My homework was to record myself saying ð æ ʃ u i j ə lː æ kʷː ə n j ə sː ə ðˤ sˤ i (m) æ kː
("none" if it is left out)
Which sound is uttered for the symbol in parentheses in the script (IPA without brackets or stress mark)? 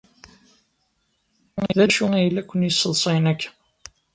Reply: n